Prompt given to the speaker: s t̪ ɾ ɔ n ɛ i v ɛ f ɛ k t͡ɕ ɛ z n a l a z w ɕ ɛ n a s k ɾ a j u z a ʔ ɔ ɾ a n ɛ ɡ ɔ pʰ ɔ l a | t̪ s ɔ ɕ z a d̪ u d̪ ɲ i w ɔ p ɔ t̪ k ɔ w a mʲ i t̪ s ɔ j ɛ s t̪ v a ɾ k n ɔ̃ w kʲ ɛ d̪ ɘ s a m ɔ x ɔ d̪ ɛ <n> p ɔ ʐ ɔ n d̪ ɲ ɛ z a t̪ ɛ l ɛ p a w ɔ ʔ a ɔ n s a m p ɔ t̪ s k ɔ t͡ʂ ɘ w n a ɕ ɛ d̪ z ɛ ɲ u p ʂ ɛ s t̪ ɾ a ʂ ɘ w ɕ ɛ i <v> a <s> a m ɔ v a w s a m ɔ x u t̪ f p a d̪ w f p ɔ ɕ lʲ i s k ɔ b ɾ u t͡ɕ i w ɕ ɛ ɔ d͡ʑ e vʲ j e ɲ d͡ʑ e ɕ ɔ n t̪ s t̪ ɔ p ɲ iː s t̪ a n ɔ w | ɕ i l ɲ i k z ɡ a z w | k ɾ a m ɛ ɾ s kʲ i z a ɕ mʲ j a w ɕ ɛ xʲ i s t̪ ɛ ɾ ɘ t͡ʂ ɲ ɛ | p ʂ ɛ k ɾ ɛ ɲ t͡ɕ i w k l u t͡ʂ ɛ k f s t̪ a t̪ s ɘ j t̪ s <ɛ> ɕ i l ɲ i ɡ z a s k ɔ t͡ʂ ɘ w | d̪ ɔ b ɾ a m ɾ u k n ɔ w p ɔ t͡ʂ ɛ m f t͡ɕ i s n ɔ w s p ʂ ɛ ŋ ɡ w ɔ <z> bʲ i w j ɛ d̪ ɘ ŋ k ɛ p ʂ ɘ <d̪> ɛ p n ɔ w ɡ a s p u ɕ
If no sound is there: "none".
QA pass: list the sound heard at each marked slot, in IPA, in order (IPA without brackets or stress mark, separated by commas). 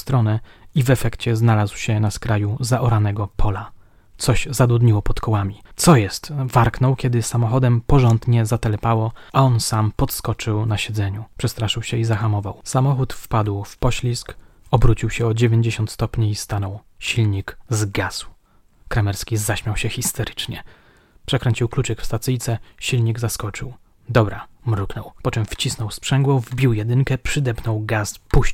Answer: m, z, x, ɛ, v, d̪